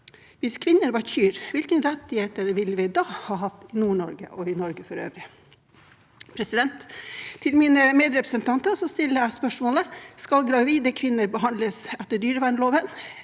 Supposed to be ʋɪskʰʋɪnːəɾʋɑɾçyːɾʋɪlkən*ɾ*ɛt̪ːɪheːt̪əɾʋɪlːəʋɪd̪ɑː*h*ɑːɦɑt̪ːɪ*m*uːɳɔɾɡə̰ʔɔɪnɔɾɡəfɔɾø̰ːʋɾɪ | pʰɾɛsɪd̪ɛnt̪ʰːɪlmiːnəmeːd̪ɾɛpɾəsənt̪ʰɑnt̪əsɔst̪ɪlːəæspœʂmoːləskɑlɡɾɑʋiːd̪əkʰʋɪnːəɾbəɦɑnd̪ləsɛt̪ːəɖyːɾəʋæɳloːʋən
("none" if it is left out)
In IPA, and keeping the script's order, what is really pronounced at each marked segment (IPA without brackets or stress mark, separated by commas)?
ɾ, h, n